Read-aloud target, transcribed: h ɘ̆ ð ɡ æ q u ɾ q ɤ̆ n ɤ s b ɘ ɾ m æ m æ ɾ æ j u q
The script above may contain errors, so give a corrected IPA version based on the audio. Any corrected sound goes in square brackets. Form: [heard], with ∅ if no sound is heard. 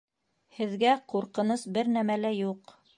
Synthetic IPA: h ɘ̆ ð ɡ æ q u ɾ q ɤ̆ n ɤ s b ɘ ɾ [n] æ m æ [l] æ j u q

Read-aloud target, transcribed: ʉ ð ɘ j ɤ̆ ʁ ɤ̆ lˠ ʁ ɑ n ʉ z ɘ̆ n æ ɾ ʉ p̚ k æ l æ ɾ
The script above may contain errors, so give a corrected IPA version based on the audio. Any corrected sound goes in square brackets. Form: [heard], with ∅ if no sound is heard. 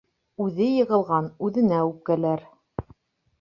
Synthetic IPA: ʉ ð ɘ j ɤ̆ ʁ ɤ̆ lˠ ʁ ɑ n ʉ [ð] ɘ̆ n æ [∅] ʉ p̚ k æ l æ ɾ

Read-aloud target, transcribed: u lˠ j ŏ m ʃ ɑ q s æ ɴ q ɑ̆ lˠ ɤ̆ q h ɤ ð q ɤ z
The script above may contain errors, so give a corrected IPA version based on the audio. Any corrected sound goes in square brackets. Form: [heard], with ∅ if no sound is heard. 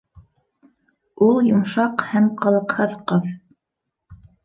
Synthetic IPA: u lˠ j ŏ m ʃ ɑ q [h] æ [m] q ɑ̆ lˠ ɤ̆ q h ɤ ð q ɤ [ð]

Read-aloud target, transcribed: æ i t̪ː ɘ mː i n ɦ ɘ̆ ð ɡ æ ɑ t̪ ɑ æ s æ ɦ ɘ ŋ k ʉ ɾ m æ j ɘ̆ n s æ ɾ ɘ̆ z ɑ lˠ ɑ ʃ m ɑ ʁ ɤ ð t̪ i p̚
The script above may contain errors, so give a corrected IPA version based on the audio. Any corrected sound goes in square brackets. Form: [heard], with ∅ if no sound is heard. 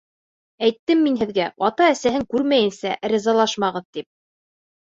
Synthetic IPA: æ [j] t̪ː ɘ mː i n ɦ ɘ̆ ð ɡ æ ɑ t̪ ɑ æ s æ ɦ ɘ ŋ k ʉ ɾ m æ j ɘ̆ n s æ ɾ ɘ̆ z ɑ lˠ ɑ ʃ m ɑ ʁ ɤ ð t̪ i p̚

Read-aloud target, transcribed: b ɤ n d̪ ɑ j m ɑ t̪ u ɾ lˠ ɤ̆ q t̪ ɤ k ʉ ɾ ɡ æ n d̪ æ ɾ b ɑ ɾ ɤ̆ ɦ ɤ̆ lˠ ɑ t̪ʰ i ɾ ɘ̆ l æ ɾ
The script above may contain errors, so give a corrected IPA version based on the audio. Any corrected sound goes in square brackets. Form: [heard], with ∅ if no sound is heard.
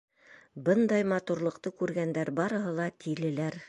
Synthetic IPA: b ɤ n d̪ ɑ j m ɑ t̪ u ɾ lˠ ɤ̆ q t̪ ɤ k ʉ ɾ ɡ æ n d̪ æ ɾ b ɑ ɾ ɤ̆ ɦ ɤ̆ lˠ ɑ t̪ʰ i [l] ɘ̆ l æ ɾ

